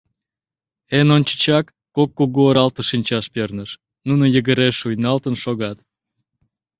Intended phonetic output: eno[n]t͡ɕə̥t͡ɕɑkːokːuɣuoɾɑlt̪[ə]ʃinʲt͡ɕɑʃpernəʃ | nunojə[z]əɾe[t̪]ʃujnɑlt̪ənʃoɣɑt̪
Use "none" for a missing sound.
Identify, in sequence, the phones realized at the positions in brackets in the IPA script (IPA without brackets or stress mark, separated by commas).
n, ə, ɣ, none